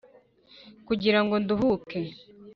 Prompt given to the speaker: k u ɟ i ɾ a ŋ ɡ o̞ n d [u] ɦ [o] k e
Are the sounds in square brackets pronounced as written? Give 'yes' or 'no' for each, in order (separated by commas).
yes, no